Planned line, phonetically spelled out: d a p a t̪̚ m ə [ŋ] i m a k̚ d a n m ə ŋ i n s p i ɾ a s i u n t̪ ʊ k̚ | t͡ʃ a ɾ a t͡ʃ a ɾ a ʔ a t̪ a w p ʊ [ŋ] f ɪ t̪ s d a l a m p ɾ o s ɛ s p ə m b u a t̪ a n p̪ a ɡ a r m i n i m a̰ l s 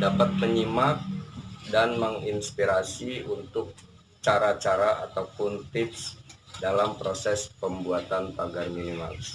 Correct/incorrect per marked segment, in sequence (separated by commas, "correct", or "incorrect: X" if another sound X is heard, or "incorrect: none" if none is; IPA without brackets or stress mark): incorrect: ɲ, incorrect: n